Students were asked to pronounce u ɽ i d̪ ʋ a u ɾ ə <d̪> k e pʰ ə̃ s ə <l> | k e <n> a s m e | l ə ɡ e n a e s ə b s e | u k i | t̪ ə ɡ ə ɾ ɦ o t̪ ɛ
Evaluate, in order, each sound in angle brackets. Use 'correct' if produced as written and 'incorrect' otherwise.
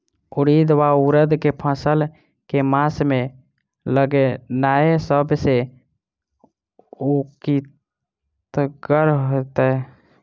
correct, correct, incorrect: m

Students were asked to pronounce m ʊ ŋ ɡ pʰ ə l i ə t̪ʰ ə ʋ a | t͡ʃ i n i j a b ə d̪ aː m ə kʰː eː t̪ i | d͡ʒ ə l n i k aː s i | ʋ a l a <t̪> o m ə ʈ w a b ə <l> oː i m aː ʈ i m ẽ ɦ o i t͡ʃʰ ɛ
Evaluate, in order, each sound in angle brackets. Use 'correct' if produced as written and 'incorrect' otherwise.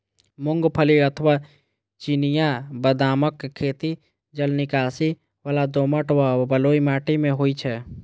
incorrect: d̪, correct

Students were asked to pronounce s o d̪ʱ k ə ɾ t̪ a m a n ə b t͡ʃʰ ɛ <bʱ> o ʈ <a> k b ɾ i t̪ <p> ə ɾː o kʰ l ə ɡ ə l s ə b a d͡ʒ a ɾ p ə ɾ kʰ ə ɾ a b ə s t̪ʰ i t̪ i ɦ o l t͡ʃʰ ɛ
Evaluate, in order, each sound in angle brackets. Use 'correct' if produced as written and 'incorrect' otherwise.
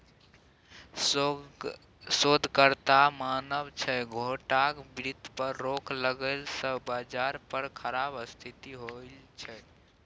incorrect: ɡʱ, correct, correct

